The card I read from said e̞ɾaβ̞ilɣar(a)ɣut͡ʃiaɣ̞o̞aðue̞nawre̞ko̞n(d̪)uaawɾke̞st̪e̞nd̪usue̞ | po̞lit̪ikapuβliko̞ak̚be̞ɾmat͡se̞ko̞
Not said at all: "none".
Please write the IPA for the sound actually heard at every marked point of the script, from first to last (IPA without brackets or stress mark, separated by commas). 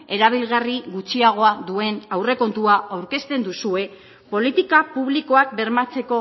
i, t̪